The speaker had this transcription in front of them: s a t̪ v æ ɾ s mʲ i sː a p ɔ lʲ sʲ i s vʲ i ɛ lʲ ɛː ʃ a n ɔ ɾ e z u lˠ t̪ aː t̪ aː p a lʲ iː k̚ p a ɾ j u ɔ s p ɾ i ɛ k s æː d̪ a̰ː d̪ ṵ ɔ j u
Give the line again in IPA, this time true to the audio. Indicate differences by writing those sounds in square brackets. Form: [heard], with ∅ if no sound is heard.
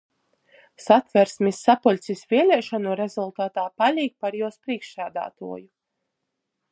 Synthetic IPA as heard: s a t̪ v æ ɾ s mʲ i sː a p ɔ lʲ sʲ i s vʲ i ɛ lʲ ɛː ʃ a n [u] ɾ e z u lˠ t̪ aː t̪ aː p a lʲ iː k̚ p a ɾ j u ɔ s p ɾ i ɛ k [ʃ] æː d̪ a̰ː [t̪] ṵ ɔ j u